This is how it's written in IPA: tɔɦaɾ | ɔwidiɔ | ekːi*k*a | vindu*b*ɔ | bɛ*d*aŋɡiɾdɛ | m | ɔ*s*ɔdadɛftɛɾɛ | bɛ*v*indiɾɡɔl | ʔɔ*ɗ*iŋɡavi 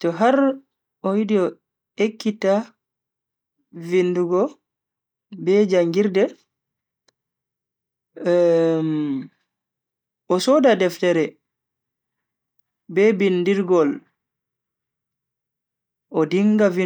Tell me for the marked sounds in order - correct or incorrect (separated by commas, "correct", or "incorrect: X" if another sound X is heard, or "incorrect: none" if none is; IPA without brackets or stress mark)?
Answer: incorrect: t, incorrect: ɡ, incorrect: d͡ʒ, correct, incorrect: b, incorrect: d